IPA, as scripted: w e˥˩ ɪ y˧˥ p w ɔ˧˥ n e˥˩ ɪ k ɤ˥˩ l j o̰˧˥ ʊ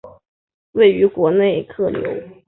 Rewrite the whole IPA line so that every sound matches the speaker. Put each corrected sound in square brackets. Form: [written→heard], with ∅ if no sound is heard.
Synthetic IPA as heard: w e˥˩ ɪ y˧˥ [p→k] w ɔ˧˥ n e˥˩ ɪ [k→kʰ] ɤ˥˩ l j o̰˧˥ ʊ